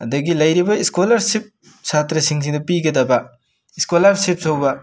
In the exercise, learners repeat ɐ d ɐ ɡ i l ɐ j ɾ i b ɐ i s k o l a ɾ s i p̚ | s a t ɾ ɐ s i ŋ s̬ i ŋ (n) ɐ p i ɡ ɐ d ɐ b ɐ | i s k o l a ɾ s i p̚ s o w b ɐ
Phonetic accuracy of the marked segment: incorrect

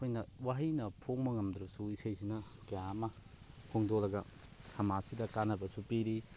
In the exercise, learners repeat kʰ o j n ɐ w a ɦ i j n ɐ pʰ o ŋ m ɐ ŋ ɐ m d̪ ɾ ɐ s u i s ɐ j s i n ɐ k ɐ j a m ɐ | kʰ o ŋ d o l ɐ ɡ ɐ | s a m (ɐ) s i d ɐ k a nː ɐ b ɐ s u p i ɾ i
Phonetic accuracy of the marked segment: incorrect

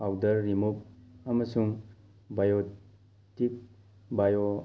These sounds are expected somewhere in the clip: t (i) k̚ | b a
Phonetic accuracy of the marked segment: correct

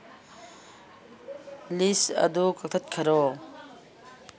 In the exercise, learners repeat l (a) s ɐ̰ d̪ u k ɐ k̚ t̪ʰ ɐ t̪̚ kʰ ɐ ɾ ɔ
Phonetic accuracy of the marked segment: incorrect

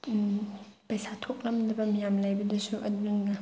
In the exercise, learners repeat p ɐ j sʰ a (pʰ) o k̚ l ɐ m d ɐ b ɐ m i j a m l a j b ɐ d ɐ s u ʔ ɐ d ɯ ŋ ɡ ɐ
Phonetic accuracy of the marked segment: incorrect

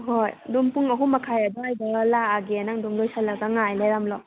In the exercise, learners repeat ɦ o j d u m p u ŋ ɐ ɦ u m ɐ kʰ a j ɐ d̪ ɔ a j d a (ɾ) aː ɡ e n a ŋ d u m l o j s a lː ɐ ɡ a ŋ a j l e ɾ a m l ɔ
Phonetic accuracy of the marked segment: incorrect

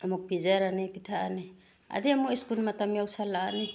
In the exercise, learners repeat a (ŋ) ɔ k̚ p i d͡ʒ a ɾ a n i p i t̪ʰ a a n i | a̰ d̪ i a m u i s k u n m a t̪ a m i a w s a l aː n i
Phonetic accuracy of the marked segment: incorrect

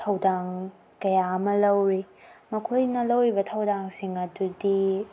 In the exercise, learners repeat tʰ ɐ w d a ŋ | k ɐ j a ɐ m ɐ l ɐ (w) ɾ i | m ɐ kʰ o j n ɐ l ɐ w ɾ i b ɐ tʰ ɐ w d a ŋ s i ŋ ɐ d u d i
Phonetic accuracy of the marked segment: correct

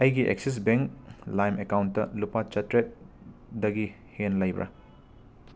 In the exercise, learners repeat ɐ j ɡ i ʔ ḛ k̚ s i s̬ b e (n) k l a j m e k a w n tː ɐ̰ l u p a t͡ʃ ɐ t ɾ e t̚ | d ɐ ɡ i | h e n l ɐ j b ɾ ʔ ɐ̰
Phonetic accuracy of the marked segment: incorrect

